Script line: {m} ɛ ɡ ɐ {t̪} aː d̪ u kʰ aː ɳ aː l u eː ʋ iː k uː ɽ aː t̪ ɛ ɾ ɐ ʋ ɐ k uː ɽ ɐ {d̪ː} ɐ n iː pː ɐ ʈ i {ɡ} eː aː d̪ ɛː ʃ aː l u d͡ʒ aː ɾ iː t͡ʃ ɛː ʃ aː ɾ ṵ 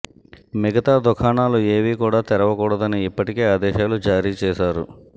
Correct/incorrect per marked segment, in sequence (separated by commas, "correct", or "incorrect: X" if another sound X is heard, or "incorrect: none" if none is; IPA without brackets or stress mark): correct, correct, incorrect: d̪, incorrect: k